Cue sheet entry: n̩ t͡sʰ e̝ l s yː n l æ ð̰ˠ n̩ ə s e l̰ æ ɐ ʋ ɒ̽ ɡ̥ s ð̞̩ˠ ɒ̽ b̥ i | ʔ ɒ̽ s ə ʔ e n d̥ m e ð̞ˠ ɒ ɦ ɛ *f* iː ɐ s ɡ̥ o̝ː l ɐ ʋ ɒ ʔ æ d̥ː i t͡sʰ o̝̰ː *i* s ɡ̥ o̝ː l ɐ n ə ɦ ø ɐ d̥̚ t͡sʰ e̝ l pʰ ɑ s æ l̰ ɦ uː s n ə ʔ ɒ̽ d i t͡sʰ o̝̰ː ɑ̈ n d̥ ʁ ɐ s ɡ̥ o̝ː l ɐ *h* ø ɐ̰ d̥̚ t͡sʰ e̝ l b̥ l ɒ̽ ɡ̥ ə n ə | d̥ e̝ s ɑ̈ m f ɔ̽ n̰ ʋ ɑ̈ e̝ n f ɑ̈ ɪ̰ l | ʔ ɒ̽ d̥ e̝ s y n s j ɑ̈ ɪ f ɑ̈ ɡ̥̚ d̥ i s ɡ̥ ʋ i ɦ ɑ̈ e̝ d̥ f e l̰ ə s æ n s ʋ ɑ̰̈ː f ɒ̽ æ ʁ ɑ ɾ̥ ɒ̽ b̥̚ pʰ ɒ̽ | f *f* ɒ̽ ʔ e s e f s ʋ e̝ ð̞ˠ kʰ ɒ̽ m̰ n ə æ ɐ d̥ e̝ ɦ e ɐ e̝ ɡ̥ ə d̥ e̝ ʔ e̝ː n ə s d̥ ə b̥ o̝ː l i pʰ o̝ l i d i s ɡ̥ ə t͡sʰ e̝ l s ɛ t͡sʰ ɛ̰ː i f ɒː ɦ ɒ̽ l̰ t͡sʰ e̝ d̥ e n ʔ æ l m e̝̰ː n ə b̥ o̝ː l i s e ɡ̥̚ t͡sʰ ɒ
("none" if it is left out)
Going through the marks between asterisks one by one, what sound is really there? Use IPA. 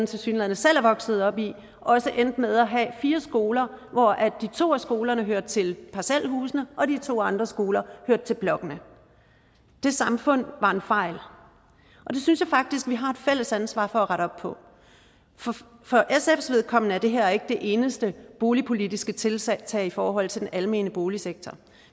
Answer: f, æ, h, f

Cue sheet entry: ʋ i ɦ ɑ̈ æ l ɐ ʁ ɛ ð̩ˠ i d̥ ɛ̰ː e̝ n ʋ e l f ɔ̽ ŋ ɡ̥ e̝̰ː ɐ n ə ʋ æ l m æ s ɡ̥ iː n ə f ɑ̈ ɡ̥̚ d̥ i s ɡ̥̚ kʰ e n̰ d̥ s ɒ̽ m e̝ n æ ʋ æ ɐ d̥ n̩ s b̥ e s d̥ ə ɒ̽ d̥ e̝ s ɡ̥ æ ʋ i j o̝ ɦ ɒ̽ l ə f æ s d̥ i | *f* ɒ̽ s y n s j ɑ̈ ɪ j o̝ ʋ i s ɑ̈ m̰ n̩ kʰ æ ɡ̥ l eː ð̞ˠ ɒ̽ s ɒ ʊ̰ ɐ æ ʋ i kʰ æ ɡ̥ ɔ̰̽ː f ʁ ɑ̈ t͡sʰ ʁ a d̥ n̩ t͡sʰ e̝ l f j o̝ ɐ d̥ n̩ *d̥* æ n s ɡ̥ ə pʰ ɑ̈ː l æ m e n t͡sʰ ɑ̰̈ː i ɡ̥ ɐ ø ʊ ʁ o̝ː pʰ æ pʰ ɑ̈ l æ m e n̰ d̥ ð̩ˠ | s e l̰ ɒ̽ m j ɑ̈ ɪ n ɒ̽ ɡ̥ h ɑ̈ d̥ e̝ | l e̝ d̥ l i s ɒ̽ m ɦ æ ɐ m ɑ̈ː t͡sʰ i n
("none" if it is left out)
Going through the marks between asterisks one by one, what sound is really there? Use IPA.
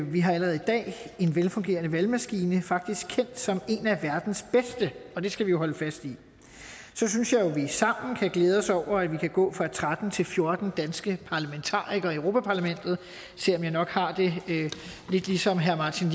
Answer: s, d̥

